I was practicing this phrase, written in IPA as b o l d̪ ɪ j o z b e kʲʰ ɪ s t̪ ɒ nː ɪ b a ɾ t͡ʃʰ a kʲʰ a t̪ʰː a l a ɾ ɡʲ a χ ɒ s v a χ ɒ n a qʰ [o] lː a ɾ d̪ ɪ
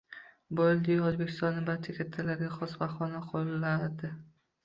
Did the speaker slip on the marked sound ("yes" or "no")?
no